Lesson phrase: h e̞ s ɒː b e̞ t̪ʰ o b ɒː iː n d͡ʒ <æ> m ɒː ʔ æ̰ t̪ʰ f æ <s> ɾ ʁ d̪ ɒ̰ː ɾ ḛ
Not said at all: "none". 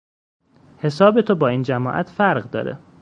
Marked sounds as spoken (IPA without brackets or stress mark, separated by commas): æ, none